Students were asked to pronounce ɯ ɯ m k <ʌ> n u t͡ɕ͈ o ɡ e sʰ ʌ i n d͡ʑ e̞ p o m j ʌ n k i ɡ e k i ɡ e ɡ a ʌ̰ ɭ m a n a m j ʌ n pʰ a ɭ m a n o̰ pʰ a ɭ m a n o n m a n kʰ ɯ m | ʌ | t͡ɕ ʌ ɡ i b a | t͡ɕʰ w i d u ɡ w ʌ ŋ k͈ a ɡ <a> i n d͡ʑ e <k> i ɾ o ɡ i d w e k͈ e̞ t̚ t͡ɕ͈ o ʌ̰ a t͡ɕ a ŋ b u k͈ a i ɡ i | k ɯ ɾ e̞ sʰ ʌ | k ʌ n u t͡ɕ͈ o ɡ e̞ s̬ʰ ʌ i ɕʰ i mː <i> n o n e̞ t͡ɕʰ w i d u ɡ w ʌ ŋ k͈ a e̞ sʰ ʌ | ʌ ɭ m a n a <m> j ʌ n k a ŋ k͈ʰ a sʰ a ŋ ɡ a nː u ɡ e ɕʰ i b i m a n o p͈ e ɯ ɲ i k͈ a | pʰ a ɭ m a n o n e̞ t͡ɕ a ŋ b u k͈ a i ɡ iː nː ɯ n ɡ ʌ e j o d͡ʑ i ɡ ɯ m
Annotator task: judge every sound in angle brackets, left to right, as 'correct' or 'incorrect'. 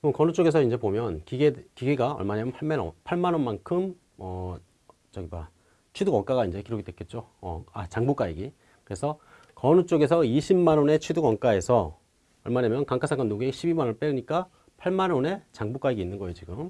correct, correct, correct, incorrect: a, correct

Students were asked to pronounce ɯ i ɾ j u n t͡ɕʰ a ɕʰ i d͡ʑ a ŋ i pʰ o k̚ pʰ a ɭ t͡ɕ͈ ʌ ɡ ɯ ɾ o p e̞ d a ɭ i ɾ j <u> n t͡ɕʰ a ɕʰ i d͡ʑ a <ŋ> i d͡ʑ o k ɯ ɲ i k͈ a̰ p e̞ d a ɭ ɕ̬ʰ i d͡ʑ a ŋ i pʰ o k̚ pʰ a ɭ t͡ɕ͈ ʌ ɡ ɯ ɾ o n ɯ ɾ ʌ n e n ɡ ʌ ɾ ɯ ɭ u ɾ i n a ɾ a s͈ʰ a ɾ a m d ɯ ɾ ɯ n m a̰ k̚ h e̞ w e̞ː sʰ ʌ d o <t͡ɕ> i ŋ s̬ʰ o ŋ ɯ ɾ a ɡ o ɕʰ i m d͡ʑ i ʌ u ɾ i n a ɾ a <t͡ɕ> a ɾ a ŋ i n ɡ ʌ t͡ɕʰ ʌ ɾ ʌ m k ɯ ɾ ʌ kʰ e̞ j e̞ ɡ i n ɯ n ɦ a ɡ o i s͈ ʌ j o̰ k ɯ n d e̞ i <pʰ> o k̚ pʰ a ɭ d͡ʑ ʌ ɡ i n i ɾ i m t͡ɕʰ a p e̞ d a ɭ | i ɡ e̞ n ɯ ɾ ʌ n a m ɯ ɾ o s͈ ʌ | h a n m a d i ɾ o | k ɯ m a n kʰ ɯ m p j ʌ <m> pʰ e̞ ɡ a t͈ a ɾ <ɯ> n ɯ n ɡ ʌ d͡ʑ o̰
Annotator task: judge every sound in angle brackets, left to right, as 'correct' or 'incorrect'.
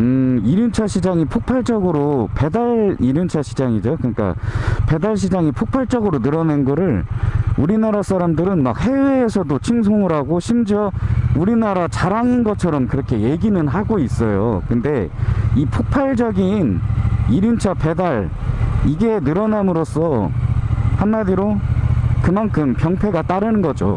correct, correct, incorrect: t͡ɕʰ, correct, correct, incorrect: ŋ, correct

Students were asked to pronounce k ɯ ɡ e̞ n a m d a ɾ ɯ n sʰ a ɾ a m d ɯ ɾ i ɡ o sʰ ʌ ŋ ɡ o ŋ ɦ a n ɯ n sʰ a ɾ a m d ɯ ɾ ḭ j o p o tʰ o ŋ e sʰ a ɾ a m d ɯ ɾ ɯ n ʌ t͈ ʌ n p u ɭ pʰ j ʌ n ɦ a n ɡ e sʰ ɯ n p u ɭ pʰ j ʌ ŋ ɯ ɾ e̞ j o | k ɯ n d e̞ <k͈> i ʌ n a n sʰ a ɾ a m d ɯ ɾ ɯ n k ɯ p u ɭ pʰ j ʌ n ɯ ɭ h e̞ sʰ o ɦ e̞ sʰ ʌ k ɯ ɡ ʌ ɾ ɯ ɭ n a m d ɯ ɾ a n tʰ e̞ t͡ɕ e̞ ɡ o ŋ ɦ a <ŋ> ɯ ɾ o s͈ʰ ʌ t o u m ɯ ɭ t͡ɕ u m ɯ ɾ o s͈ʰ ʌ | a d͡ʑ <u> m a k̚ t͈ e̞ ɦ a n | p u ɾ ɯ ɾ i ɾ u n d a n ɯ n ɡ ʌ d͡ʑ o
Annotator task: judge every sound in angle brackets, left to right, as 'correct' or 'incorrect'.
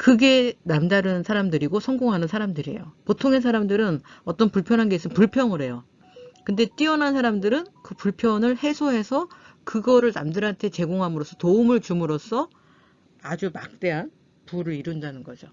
incorrect: t͈, incorrect: m, correct

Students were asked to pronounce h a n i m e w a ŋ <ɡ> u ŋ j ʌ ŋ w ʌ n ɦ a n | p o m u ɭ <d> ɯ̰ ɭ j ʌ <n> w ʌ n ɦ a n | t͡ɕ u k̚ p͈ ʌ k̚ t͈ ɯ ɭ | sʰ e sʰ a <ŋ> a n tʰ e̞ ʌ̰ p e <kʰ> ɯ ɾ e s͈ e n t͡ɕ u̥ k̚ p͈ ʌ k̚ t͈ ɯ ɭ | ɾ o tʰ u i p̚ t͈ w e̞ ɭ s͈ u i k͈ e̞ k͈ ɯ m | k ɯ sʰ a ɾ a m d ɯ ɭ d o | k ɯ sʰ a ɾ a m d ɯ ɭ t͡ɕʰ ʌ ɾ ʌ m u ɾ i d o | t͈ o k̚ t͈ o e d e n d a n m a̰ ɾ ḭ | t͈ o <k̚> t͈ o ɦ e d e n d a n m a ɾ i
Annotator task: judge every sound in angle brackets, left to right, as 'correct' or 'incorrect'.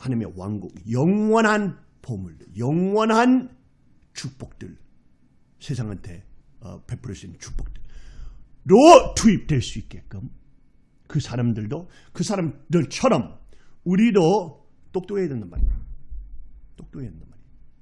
correct, correct, incorrect: ŋ, correct, incorrect: pʰ, correct

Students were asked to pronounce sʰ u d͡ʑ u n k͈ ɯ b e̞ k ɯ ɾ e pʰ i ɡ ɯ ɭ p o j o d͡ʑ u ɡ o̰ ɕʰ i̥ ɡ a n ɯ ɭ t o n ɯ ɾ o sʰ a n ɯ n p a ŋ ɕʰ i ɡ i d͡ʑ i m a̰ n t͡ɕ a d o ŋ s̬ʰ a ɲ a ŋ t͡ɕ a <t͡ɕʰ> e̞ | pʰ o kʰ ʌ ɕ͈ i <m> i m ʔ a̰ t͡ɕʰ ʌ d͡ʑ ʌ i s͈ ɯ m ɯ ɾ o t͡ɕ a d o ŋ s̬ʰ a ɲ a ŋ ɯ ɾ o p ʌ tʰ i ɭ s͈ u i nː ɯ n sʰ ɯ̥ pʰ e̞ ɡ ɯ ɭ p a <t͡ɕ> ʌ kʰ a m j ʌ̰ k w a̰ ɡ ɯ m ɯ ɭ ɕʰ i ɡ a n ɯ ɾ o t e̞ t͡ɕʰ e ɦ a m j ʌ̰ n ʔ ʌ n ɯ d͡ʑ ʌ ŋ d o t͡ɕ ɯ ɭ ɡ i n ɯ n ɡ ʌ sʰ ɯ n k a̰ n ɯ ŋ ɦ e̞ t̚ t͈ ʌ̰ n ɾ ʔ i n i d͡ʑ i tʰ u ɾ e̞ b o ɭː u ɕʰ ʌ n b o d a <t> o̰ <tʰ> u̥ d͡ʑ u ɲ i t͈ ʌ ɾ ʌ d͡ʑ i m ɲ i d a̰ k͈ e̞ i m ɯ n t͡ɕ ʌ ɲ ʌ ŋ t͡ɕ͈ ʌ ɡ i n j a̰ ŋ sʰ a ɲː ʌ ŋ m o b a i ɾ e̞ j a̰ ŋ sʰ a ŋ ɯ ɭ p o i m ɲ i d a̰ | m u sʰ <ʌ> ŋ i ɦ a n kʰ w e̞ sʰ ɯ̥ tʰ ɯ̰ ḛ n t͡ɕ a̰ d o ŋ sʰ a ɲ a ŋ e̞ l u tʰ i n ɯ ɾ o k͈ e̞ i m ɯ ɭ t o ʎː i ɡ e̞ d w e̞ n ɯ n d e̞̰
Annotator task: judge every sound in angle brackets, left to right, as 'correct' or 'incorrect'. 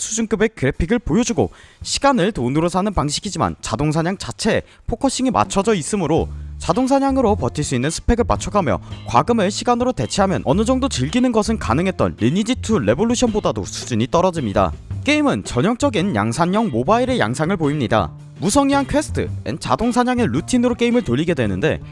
correct, incorrect: ŋ, incorrect: t͡ɕʰ, incorrect: d, incorrect: sʰ, correct

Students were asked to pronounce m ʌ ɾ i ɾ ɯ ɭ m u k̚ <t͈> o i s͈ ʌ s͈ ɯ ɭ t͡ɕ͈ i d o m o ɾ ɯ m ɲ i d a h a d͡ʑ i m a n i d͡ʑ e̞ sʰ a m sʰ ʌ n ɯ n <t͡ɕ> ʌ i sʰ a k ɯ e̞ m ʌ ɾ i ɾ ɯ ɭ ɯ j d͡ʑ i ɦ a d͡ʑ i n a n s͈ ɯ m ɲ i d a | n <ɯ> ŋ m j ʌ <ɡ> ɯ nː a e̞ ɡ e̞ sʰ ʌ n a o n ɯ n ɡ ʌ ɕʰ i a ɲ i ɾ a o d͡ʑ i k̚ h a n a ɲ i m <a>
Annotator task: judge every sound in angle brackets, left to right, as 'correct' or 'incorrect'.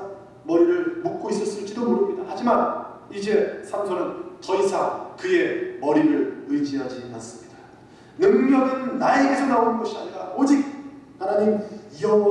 incorrect: k͈, correct, correct, correct, incorrect: ʌ

